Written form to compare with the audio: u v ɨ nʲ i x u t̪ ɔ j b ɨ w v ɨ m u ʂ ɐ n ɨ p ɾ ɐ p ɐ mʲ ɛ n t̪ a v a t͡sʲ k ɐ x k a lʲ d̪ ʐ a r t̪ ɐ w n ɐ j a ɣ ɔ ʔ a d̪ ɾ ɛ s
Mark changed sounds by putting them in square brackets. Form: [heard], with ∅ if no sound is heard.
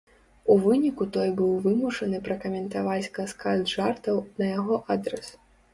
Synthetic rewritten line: u v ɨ nʲ i [k] u t̪ ɔ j b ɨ w v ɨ m u ʂ ɐ n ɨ p ɾ ɐ [k] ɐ mʲ ɛ n t̪ a v a t͡sʲ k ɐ [s] k a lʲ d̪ ʐ a r t̪ ɐ w n ɐ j a ɣ ɔ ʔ a d̪ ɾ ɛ s